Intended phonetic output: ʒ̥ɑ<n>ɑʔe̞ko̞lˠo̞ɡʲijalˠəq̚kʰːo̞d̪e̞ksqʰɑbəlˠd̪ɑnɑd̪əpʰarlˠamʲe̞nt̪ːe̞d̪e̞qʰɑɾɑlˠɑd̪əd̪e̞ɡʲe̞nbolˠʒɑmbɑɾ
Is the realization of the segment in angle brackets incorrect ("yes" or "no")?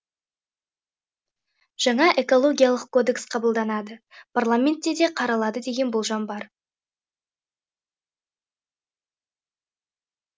yes